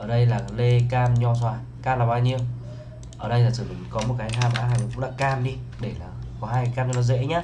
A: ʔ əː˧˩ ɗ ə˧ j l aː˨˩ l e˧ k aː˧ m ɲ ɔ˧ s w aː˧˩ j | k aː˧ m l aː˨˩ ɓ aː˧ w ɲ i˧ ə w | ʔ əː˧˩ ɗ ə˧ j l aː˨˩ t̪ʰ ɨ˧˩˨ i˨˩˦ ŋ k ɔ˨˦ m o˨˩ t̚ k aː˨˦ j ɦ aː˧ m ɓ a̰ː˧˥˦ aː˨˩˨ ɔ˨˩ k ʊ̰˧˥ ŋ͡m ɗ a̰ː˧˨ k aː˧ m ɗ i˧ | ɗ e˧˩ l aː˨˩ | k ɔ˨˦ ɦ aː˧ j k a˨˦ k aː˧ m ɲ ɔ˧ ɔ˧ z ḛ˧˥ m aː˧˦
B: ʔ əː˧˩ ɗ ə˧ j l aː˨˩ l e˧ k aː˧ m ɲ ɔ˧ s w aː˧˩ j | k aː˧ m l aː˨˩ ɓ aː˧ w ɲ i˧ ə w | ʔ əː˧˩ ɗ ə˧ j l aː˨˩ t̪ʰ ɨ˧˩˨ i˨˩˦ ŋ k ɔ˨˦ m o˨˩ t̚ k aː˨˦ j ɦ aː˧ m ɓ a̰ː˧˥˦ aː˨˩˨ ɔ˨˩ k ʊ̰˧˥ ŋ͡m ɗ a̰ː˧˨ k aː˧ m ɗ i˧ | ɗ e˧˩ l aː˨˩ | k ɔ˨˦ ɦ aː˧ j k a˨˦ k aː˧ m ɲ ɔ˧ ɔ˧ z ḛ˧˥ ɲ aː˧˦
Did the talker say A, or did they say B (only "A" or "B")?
B